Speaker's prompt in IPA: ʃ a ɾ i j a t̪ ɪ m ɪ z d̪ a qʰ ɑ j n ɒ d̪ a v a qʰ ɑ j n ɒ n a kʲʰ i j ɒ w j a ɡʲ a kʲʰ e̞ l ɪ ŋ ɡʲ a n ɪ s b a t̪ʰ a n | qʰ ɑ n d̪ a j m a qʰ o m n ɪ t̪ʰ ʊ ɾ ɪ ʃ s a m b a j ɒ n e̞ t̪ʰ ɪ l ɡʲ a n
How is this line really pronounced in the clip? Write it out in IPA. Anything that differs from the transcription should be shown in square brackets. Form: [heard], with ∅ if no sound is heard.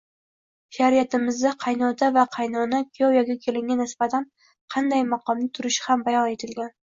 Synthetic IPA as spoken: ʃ a ɾ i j a t̪ ɪ m ɪ z d̪ a qʰ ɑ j n ɒ d̪ a v a qʰ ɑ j n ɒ n a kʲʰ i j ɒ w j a ɡʲ a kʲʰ e̞ l ɪ ŋ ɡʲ a n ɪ s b a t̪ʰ a n | qʰ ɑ n d̪ a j m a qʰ [ɒ] m n ɪ t̪ʰ ʊ ɾ ɪ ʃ [h] a m b a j ɒ n e̞ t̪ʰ ɪ l ɡʲ a n